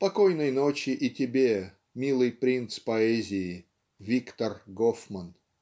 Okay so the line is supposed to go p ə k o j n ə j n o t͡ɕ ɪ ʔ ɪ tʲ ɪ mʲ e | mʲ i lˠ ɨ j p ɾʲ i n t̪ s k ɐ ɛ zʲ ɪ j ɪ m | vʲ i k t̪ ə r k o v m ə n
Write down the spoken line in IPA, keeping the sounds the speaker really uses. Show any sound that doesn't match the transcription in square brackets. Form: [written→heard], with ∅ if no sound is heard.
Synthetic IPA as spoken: p [ə→ɐ] k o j n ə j n o t͡ɕ ɪ ʔ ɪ tʲ ɪ [mʲ→bʲ] e | mʲ i lˠ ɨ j p ɾʲ i n t̪ s [k→p] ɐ ɛ zʲ ɪ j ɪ [m→∅] | vʲ i k t̪ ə r [k→ɡ] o [v→f] m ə n